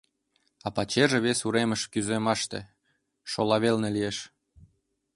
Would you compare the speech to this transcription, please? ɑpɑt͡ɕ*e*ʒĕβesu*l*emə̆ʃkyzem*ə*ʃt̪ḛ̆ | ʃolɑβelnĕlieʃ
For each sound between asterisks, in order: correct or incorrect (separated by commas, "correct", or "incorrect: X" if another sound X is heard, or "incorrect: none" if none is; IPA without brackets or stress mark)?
correct, incorrect: ɾ, incorrect: ɑ